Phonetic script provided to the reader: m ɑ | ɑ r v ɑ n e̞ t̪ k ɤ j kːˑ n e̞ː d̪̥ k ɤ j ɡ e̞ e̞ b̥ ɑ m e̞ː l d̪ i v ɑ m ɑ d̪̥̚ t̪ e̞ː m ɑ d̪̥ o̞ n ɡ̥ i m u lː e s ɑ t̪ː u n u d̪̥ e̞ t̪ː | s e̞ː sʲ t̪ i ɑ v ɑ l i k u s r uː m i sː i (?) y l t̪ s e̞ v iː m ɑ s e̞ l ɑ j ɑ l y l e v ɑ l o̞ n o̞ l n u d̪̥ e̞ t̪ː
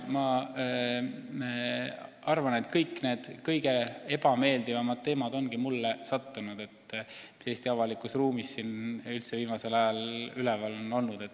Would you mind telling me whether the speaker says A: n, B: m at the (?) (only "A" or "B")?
A